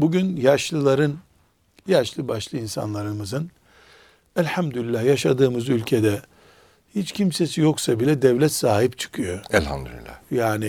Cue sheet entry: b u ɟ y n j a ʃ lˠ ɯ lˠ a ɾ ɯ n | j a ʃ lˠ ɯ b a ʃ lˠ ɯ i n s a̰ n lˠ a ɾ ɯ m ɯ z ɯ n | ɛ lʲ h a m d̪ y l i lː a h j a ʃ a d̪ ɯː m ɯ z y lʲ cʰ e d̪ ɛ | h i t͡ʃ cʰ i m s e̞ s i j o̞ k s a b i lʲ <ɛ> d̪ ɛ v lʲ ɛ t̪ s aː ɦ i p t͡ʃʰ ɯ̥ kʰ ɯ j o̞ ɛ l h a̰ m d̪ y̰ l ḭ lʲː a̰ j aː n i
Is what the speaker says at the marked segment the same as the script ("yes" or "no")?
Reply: yes